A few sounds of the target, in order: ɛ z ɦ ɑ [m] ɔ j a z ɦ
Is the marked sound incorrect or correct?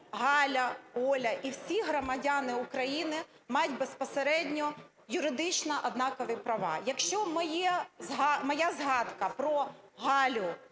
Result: correct